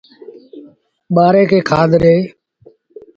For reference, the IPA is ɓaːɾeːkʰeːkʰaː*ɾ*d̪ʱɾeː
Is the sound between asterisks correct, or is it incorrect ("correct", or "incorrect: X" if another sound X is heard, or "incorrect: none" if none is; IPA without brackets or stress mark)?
incorrect: none